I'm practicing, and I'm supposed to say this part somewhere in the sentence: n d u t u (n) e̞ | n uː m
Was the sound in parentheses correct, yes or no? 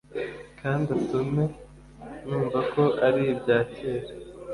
no